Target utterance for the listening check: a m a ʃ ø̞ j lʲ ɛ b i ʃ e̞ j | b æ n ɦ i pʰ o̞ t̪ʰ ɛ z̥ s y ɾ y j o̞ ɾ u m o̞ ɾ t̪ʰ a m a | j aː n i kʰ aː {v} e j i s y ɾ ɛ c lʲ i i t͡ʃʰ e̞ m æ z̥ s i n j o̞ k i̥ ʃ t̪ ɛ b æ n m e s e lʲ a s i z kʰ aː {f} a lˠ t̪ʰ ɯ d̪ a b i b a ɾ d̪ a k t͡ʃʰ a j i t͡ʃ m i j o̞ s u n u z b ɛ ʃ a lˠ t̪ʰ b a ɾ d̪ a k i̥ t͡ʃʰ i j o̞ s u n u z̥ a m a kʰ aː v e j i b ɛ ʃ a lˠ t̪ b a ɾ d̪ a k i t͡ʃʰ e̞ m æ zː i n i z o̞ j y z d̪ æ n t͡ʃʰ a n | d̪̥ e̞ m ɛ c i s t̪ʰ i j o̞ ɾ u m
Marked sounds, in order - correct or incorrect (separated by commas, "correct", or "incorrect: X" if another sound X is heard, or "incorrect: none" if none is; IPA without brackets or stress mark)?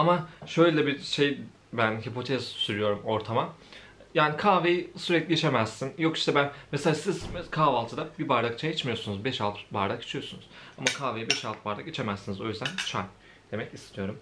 correct, incorrect: v